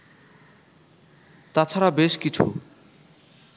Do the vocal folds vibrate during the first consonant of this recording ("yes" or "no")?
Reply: no